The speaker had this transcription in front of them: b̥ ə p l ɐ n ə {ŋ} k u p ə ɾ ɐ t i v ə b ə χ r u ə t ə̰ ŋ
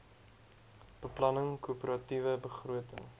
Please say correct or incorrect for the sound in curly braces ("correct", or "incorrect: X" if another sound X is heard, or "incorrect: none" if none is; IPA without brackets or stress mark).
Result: correct